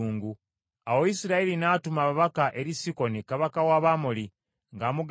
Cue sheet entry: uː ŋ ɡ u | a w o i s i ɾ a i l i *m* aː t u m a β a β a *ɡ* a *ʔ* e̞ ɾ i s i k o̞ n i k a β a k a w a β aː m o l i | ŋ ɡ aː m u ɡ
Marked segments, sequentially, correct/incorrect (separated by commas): incorrect, incorrect, correct